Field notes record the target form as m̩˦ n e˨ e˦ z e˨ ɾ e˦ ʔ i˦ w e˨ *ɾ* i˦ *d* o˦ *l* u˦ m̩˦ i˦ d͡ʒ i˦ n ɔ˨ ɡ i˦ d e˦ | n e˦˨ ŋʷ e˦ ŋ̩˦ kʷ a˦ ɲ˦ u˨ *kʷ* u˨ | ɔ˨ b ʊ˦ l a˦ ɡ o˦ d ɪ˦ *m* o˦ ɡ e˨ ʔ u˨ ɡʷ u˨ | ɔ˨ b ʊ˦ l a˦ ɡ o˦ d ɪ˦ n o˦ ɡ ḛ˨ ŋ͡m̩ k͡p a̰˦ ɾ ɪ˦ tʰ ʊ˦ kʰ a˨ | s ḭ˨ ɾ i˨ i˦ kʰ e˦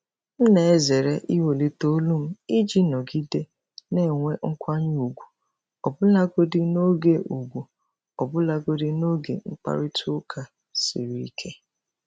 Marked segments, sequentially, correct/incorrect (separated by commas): incorrect, incorrect, correct, incorrect, incorrect